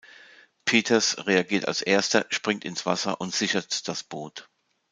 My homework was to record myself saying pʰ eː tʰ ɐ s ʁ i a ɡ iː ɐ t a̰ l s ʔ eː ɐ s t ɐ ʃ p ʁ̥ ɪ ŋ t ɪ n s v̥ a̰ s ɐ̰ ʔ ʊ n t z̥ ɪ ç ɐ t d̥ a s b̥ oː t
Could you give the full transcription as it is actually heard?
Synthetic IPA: pʰ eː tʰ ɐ s ʁ e a ɡ iː ɐ t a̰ l s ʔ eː ɐ s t ɐ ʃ p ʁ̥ ɪ ŋ t ɪ n s v̥ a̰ s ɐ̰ ʔ ʊ n t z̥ ɪ ç ɐ t d̥ a s b̥ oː t